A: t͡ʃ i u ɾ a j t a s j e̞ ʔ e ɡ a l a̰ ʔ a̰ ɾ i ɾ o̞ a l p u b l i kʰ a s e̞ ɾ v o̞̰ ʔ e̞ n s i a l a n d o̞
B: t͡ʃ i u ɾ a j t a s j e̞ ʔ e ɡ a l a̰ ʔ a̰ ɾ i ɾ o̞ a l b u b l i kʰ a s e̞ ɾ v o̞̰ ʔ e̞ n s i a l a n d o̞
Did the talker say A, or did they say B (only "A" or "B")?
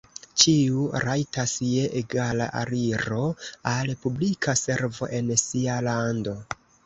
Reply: A